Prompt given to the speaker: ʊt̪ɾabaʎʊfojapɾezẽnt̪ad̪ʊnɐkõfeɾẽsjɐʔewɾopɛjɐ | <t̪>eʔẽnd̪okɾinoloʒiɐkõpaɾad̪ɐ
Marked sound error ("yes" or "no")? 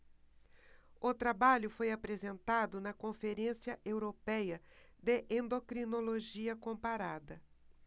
yes